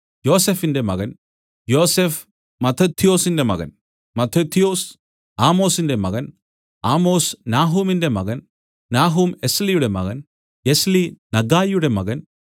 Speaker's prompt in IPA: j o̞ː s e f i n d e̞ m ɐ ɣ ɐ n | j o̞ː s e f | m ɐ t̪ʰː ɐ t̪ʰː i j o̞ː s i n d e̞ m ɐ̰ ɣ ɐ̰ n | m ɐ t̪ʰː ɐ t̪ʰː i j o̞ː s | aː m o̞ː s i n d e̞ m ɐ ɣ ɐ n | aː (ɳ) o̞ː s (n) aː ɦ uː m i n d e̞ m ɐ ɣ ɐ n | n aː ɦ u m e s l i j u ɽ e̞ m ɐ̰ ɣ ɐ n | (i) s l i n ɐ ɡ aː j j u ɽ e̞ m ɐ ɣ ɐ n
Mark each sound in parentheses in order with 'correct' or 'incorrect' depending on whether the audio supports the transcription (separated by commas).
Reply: incorrect, correct, incorrect